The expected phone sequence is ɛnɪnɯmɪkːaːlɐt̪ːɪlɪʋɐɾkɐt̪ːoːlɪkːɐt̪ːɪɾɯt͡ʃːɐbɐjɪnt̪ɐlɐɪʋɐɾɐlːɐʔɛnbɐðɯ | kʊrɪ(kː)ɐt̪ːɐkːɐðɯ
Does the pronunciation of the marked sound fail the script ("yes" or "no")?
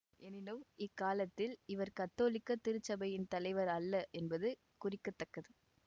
no